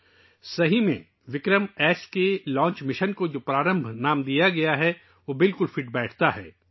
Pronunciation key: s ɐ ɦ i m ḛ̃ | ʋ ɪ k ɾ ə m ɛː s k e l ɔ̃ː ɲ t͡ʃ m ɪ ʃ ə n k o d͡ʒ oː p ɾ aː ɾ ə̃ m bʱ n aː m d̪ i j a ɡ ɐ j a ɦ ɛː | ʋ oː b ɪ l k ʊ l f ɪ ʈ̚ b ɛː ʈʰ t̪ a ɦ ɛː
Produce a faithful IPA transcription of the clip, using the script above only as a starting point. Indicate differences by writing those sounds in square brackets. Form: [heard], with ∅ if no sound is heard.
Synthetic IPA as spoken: s ɐ ɦ i m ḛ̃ | ʋ ɪ k ɾ ə m ɛː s k e l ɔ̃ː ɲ t͡ʃ m ɪ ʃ ə n k o d͡ʒ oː p ɾ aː ɾ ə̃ m bʱ n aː m d̪ i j a ɡ ɐ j a ɦ [ɛ] | ʋ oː b ɪ l k ʊ l f ɪ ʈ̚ b ɛː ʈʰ t̪ a ɦ ɛː